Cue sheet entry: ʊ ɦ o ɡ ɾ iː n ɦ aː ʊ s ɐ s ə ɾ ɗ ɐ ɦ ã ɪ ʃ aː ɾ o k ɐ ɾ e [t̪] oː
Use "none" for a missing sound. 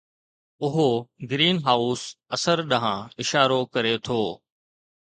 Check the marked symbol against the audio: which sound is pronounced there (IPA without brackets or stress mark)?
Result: t̪ʰ